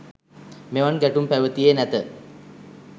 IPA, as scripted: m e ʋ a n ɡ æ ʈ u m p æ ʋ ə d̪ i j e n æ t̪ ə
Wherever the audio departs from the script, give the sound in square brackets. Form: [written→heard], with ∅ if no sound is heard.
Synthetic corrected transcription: m e ʋ a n ɡ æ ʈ u m p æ ʋ ə [d̪→t̪] i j e n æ t̪ ə